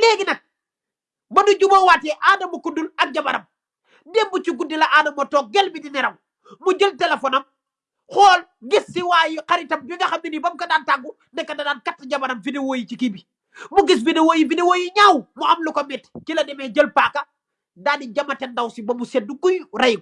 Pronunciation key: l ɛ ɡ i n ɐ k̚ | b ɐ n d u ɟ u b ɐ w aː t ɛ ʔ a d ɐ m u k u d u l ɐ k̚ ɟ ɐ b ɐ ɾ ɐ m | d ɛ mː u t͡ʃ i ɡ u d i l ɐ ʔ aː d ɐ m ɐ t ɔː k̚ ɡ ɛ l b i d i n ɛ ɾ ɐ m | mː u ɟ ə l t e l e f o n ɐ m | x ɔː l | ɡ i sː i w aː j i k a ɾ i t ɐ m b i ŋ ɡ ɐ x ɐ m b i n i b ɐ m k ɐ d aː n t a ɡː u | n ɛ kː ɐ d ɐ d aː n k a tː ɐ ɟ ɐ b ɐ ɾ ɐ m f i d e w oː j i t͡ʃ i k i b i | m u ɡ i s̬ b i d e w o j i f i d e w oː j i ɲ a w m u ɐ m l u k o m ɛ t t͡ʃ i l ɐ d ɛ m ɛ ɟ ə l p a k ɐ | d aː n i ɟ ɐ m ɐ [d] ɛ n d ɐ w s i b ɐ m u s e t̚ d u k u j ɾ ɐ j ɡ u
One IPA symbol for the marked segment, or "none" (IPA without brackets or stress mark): t